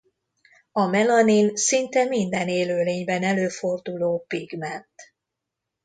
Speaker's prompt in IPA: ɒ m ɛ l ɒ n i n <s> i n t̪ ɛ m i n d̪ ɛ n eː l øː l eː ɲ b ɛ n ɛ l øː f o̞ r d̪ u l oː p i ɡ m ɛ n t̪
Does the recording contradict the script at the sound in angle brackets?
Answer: no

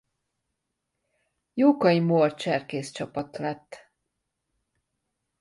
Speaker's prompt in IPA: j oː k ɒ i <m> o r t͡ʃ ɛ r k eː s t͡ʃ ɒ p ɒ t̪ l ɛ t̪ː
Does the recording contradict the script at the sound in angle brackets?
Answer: no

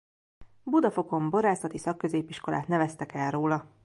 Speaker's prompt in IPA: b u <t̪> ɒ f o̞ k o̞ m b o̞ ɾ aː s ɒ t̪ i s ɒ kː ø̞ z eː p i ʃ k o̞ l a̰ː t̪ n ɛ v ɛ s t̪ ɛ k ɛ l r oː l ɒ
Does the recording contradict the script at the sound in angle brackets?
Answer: yes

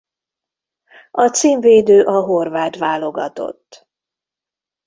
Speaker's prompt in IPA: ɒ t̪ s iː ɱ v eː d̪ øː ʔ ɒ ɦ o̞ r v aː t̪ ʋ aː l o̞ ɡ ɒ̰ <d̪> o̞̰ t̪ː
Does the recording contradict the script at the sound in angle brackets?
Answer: yes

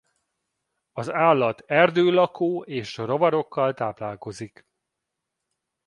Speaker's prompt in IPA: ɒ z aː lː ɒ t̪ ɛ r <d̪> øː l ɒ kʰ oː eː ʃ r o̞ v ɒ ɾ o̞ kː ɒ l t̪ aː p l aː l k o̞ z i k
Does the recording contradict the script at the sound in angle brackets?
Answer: no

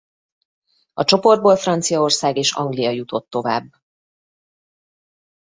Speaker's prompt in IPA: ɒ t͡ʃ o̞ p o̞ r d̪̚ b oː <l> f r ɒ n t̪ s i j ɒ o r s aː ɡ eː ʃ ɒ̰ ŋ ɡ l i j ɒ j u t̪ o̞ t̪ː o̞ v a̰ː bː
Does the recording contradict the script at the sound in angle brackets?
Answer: no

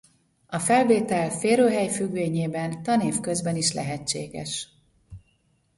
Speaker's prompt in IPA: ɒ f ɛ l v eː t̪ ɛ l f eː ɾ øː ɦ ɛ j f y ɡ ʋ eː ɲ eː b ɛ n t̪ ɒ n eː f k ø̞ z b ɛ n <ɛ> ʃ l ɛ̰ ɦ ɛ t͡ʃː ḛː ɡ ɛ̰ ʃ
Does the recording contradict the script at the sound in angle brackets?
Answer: yes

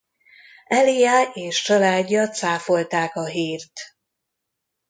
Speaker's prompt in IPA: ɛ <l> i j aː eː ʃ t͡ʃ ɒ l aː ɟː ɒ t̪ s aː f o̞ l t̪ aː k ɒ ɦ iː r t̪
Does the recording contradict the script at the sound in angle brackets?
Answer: no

